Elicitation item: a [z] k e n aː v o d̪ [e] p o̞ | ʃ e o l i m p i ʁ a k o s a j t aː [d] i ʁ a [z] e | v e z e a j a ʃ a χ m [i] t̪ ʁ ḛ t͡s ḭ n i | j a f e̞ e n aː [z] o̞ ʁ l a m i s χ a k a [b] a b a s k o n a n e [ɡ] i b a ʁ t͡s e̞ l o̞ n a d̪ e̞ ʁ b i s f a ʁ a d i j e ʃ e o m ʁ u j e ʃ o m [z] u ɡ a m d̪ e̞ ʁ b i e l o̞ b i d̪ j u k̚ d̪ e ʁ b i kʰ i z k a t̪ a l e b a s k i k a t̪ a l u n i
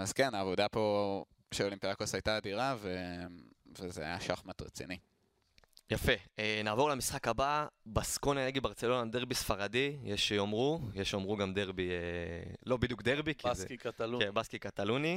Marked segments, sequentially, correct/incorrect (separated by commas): correct, incorrect, correct, incorrect, incorrect, incorrect, correct, correct, incorrect